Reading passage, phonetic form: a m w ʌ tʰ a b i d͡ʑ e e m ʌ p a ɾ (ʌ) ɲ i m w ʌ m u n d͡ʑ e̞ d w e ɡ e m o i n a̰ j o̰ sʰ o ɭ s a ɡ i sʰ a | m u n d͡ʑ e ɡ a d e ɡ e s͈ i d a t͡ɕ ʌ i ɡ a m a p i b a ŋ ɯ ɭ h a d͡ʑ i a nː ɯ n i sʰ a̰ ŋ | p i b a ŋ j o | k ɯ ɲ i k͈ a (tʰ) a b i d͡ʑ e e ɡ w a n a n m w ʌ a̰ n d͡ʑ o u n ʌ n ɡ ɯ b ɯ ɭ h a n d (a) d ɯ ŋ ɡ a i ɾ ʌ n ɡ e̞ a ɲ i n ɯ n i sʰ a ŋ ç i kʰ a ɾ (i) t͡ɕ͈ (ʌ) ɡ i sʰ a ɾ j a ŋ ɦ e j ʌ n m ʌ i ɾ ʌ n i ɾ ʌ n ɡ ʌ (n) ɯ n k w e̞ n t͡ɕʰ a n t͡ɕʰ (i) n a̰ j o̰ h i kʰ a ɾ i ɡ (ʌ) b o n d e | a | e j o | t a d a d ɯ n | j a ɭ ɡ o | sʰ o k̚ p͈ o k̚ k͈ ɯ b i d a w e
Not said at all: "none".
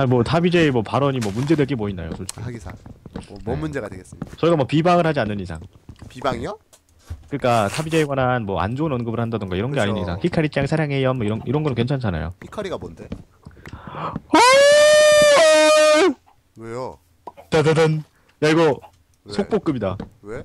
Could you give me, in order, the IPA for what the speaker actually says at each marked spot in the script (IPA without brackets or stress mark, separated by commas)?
ʌ, tʰ, a, i, a, n, a, a